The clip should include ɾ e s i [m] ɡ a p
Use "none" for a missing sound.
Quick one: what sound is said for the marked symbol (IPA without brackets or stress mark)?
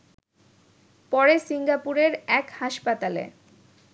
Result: ŋ